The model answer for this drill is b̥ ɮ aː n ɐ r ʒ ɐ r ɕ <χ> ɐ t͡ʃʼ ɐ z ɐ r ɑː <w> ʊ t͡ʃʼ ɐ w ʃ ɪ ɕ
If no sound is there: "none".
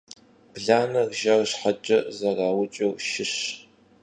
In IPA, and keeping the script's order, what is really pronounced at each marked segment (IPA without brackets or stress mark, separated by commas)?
ħ, w